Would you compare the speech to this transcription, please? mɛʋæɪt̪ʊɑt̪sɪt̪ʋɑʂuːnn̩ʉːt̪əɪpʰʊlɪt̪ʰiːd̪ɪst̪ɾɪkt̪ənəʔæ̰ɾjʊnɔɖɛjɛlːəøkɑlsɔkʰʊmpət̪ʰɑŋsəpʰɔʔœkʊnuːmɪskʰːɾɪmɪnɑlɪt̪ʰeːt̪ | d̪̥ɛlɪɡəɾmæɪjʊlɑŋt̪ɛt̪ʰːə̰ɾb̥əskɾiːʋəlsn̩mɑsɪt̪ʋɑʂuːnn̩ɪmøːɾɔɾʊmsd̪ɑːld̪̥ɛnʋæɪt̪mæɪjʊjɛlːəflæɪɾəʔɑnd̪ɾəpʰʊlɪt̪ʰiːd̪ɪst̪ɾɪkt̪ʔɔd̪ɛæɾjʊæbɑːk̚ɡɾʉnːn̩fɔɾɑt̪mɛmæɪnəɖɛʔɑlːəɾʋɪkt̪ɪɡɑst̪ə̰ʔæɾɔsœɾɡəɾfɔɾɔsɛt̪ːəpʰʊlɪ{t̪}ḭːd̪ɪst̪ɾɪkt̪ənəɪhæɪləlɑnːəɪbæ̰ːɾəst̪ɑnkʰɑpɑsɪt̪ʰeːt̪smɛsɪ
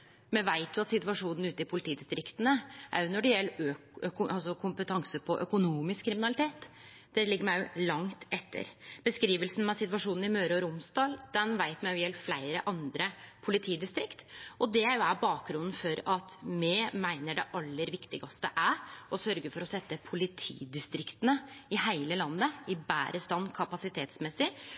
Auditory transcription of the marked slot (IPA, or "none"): t̪ʰ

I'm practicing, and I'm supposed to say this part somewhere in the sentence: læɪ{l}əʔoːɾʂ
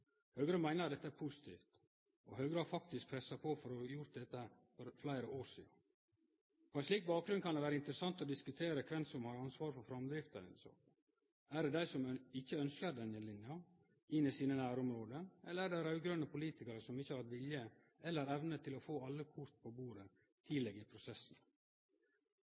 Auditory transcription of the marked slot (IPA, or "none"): ɾ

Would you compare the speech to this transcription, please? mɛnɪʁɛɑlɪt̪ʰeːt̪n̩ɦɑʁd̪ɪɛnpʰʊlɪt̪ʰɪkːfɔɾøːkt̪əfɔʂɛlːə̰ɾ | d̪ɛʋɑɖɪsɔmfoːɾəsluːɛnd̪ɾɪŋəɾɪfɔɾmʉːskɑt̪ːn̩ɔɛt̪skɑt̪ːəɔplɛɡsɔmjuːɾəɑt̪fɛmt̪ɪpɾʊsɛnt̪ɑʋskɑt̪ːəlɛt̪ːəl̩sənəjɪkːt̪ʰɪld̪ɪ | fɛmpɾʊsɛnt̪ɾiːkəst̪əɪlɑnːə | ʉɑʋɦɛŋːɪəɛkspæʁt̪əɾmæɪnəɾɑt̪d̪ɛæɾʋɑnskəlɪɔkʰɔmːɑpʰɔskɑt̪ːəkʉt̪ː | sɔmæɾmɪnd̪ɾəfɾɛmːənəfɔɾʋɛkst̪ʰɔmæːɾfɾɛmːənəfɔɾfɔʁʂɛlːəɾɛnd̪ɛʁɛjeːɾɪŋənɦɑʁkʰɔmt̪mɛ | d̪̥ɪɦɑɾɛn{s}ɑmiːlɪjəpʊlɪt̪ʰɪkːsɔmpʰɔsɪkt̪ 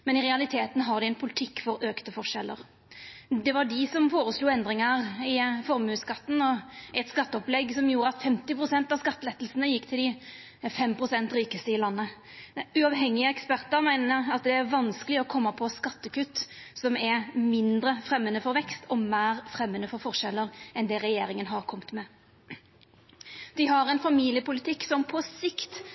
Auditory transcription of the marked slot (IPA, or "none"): f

